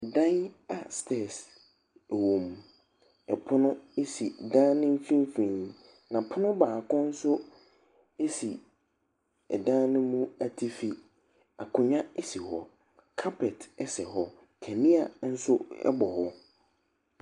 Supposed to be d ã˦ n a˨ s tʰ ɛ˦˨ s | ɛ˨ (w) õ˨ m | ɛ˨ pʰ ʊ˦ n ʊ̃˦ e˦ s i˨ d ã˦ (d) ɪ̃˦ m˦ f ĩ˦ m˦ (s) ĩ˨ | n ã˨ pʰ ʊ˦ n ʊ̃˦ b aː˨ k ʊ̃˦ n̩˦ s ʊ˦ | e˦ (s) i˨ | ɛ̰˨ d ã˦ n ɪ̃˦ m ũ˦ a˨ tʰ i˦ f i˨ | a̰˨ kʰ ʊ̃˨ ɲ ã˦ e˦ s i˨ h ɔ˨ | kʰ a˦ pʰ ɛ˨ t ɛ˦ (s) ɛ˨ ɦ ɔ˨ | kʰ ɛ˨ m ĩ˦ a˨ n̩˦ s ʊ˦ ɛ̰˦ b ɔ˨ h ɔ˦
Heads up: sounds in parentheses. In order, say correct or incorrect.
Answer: correct, incorrect: n, incorrect: f, correct, correct

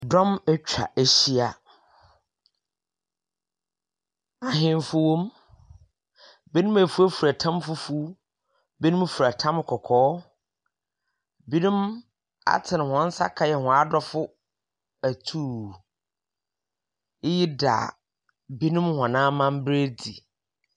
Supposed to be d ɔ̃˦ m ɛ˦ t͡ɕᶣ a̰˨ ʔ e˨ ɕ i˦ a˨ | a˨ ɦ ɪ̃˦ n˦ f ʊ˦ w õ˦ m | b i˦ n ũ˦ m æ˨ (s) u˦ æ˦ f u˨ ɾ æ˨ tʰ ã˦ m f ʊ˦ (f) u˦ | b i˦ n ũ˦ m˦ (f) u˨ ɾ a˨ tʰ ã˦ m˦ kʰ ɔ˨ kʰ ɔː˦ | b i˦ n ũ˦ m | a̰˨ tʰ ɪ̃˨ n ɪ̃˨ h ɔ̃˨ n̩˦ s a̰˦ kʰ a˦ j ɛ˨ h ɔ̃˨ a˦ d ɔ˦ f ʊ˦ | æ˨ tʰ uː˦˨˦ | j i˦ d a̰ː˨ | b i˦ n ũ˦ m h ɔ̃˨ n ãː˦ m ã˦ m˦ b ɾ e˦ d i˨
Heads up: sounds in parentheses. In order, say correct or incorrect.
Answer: incorrect: f, correct, correct

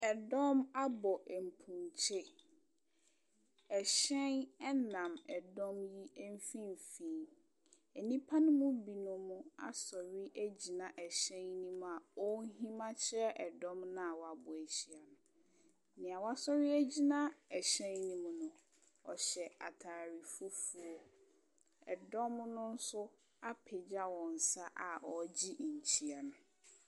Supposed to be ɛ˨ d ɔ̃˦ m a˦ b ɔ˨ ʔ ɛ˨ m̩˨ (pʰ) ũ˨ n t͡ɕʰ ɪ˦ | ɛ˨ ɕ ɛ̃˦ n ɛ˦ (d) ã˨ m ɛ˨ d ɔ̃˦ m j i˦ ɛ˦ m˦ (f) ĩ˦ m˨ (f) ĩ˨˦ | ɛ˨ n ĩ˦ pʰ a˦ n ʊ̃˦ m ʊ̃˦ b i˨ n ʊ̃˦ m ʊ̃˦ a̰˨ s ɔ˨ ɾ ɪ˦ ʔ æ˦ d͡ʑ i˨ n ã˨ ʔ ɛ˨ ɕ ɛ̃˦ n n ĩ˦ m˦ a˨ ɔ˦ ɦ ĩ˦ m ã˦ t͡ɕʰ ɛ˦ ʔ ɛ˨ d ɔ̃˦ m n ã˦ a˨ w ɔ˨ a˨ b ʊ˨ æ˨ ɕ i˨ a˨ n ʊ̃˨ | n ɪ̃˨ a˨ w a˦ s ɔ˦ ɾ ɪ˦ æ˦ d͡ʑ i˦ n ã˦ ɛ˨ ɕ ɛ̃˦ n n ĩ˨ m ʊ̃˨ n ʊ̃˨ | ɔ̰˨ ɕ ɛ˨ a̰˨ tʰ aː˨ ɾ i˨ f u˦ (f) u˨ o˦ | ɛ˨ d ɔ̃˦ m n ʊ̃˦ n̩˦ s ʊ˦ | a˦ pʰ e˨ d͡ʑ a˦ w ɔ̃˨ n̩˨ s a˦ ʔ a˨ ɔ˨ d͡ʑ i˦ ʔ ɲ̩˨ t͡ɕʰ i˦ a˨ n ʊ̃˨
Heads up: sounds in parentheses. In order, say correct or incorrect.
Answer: correct, incorrect: n, correct, correct, correct

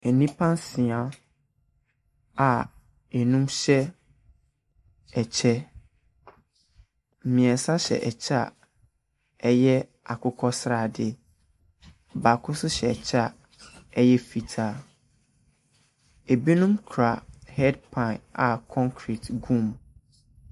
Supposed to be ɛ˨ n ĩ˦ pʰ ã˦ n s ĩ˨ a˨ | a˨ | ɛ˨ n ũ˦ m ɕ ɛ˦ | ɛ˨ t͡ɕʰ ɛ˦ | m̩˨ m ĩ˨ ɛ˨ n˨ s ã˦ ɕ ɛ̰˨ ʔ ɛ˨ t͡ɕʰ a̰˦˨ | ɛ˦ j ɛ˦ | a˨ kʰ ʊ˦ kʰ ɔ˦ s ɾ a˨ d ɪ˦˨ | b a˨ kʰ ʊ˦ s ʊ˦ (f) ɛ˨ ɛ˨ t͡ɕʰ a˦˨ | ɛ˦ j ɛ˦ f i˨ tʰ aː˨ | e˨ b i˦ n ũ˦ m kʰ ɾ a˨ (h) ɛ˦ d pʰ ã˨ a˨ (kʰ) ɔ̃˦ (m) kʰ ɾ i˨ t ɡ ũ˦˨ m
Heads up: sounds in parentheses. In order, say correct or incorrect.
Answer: incorrect: ɕ, correct, correct, incorrect: ŋ

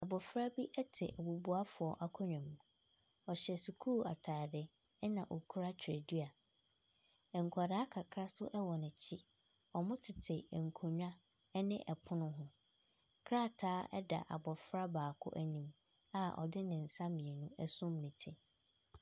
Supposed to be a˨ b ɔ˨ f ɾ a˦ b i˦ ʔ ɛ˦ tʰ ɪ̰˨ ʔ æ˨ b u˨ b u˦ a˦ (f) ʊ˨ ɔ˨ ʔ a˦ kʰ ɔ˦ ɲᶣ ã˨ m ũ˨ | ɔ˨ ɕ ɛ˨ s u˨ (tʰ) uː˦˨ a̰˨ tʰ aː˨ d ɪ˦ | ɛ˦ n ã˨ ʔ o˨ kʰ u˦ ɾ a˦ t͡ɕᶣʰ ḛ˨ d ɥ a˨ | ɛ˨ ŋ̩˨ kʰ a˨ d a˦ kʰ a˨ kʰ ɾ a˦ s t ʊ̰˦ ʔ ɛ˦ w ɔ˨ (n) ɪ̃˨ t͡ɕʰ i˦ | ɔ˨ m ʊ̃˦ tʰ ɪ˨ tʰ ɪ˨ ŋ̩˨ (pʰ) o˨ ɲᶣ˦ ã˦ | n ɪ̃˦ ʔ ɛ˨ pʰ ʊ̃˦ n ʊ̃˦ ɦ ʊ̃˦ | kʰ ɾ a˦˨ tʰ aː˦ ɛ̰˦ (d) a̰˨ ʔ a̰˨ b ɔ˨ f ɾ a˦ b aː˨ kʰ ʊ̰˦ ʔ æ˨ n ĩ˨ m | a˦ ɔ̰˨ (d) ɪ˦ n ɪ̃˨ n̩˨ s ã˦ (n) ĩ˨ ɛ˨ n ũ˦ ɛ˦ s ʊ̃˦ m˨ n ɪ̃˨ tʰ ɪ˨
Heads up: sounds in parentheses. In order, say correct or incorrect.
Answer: correct, incorrect: kʰ, correct, incorrect: kʰ, correct, correct, incorrect: m

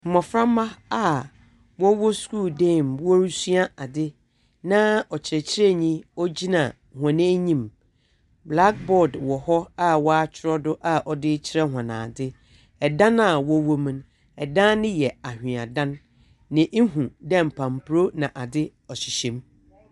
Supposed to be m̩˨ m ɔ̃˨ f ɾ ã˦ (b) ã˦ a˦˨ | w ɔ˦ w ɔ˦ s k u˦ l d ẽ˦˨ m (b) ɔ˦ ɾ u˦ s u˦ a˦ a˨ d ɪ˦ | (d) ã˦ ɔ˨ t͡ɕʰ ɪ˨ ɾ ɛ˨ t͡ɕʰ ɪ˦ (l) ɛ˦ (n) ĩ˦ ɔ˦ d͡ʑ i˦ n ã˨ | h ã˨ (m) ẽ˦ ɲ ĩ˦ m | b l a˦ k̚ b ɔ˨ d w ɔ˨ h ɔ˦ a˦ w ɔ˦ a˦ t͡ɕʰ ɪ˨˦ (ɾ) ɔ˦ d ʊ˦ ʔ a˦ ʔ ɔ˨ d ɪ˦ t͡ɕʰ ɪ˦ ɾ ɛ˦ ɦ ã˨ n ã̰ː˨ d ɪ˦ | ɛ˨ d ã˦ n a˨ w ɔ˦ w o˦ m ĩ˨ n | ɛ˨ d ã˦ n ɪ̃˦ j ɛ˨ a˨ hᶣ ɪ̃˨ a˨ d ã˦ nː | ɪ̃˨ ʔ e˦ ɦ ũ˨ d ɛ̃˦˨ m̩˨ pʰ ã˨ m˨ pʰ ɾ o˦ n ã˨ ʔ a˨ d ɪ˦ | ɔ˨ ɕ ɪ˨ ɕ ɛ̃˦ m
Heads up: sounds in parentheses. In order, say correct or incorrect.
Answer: incorrect: m, incorrect: w, incorrect: n, incorrect: ɾ, incorrect: ɲ, incorrect: n, correct

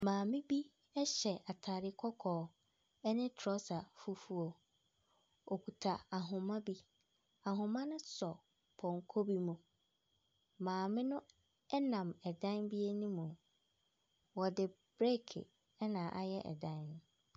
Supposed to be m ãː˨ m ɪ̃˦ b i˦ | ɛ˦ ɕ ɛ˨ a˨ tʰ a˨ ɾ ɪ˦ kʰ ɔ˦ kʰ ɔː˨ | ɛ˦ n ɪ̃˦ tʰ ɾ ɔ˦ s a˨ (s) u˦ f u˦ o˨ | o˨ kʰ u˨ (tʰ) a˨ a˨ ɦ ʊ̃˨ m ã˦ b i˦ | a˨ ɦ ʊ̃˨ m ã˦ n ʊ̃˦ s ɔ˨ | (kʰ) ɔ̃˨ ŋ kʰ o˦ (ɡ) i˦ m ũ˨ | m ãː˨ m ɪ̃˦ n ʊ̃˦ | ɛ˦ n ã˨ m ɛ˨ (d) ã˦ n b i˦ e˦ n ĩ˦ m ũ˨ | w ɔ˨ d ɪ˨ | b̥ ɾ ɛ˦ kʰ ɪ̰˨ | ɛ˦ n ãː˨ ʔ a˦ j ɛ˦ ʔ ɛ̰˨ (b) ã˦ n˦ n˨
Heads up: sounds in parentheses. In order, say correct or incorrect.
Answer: incorrect: f, correct, incorrect: pʰ, incorrect: b, correct, incorrect: d

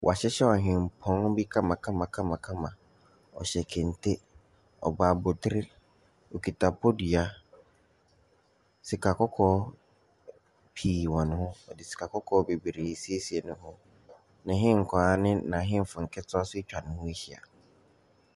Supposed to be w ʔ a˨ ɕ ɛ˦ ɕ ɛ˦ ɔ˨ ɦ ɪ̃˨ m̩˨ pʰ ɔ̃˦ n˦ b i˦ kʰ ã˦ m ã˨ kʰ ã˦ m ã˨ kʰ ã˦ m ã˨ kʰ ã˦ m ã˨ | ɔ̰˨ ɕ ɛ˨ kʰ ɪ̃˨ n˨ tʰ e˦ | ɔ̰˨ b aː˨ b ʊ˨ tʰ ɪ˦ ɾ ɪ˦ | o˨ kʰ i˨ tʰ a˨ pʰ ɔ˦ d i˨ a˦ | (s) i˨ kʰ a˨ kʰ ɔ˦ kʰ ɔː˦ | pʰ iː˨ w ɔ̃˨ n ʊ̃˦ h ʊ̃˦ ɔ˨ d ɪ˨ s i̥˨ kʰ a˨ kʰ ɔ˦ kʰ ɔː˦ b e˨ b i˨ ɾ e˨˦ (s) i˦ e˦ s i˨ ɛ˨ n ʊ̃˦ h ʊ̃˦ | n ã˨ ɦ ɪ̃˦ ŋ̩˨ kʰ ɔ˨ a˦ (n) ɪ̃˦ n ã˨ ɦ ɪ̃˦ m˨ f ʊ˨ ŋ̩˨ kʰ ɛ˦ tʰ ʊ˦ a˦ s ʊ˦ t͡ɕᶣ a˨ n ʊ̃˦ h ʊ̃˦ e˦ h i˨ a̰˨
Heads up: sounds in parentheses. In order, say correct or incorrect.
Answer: correct, correct, correct

